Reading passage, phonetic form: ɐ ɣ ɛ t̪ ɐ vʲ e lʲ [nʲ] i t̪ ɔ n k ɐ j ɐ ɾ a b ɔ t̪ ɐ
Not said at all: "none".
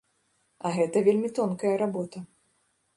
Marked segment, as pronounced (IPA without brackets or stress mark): mʲ